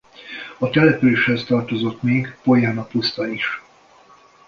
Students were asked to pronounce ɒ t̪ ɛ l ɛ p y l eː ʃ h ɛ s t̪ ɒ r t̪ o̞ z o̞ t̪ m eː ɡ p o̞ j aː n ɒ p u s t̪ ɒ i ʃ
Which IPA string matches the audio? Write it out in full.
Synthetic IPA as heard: ɒ t̪ ɛ l ɛ p y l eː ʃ h ɛ s t̪ ɒ r t̪ o̞ z o̞ t̪ m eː ɡ p o̞ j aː n ɒ p u s t̪ ɒ i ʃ